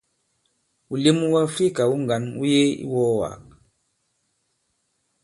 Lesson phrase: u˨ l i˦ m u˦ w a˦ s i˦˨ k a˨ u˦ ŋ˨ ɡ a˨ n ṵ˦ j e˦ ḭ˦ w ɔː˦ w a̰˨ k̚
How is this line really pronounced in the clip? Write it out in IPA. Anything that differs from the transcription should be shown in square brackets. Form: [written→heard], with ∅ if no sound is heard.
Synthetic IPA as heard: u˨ l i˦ m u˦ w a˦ [s→f] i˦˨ k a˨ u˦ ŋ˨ ɡ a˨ n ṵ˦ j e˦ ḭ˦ w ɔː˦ w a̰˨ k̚